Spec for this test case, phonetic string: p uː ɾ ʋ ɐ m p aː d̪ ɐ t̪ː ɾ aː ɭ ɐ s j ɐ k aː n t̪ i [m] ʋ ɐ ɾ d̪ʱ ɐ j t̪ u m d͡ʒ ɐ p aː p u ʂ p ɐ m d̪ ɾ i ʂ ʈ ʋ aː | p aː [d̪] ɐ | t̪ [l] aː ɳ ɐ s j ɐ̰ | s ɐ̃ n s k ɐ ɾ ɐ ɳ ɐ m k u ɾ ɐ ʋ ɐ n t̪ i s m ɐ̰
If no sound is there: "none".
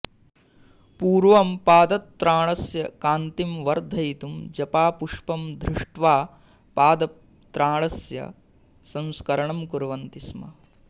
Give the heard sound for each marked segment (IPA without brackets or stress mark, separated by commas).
m, d̪, ɾ